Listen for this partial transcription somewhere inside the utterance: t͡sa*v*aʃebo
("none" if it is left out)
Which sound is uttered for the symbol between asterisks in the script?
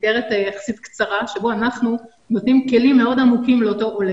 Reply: ʁ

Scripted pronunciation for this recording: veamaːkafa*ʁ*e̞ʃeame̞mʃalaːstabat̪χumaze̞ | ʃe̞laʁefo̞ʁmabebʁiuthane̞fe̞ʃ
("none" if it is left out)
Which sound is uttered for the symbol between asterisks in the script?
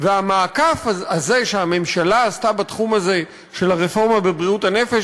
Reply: z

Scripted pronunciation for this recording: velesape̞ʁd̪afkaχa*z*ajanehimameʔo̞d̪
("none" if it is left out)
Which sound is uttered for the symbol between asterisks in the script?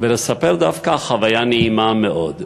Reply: v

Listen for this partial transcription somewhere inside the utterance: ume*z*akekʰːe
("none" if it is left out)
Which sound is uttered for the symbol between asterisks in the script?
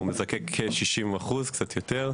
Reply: z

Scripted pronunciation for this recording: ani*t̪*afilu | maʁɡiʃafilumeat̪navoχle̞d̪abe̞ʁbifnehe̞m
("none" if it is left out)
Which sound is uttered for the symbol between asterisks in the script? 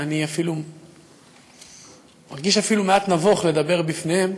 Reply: none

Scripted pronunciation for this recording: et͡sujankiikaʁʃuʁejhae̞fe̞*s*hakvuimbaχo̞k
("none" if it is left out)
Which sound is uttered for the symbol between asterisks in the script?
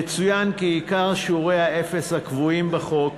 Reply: s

